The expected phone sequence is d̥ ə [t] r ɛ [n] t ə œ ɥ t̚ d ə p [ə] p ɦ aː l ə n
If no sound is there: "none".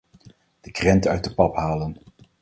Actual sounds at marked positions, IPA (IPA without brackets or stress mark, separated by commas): k, n, ɑ